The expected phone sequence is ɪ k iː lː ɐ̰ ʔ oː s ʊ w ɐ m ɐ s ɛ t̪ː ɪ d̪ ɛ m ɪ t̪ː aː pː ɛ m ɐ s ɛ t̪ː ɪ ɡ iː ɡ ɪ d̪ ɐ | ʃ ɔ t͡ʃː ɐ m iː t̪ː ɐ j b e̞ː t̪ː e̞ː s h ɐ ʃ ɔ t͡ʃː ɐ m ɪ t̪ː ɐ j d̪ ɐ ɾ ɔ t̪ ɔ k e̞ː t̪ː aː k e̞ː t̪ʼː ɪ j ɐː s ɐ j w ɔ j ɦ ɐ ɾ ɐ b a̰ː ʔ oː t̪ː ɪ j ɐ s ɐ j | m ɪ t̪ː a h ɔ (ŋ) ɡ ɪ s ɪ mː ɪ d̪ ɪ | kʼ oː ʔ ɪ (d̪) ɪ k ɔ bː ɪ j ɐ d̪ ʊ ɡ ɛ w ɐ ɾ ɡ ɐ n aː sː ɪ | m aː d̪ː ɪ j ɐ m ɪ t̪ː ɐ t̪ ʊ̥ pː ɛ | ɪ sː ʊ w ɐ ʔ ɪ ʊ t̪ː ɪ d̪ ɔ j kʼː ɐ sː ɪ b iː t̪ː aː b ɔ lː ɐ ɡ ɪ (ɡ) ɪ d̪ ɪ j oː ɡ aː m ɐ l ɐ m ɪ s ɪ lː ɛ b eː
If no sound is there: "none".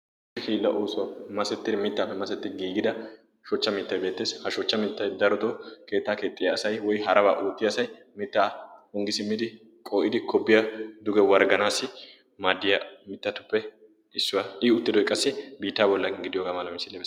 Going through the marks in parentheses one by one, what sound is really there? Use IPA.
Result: ŋ, d̪, ɡ

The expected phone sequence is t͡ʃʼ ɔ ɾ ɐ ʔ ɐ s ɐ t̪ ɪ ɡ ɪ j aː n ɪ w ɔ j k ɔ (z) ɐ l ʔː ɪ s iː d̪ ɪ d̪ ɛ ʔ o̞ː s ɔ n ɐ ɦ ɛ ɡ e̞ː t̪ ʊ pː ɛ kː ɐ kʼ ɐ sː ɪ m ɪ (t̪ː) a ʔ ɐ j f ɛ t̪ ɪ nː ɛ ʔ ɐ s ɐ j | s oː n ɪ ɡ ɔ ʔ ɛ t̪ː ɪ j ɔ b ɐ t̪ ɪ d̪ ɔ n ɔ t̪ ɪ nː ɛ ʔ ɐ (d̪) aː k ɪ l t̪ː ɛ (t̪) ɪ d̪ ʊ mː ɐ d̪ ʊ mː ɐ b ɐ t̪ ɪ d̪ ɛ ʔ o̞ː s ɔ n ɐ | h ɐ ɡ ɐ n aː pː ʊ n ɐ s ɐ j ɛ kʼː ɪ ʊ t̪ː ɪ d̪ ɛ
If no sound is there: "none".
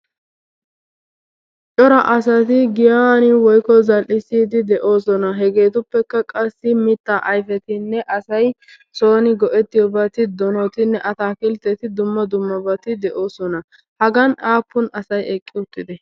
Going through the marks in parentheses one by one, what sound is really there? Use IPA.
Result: z, t̪ː, t̪, t̪

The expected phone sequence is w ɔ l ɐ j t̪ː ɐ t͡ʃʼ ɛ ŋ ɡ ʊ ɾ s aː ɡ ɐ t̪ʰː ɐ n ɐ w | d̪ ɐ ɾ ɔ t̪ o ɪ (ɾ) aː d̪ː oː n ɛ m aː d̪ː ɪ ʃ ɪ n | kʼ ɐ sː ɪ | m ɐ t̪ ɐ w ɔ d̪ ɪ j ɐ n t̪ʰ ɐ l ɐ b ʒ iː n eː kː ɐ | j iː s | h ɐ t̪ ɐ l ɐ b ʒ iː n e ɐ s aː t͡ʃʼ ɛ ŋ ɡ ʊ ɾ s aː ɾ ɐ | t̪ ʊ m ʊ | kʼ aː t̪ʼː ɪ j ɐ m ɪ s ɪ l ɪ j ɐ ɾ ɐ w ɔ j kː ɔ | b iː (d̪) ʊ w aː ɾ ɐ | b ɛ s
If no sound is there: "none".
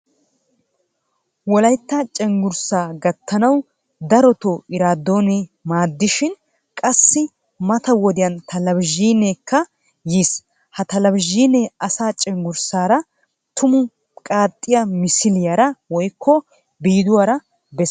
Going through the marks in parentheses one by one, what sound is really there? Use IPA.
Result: ɾ, d̪

